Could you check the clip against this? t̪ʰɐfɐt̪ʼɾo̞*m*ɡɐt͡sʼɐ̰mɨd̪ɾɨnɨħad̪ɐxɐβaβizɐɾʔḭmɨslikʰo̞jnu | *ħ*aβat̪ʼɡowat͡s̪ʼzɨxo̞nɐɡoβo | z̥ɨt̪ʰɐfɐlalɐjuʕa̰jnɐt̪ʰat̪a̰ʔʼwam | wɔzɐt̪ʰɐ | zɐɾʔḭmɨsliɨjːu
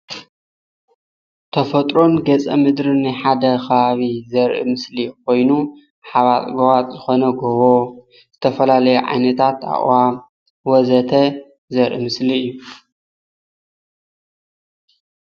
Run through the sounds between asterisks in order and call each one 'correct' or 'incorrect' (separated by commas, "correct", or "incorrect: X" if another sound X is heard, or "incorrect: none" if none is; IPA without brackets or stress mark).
incorrect: n, correct